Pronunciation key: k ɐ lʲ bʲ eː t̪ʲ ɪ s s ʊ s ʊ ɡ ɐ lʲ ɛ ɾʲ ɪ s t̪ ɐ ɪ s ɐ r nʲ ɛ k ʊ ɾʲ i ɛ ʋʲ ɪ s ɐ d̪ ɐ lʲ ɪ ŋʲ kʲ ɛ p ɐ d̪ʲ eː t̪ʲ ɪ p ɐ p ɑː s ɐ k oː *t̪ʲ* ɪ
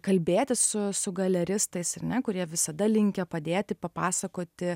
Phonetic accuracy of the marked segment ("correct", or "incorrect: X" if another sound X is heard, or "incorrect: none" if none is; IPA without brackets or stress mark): correct